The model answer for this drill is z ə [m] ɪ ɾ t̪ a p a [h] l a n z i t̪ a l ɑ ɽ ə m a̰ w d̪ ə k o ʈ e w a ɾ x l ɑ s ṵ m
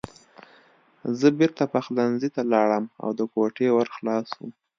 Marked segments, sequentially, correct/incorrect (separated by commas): incorrect, incorrect